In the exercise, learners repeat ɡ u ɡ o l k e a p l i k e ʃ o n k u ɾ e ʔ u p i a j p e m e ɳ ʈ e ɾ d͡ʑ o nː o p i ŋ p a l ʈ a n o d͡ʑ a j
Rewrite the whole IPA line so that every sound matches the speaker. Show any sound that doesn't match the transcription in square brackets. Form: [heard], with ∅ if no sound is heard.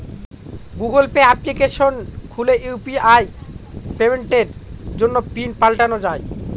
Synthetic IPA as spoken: ɡ u ɡ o l [p] e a p l i k e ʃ o n [kʰ] u [l] e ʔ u p i a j p e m e ɳ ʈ e ɾ d͡ʑ o nː o p i [n] p a l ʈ a n o d͡ʑ a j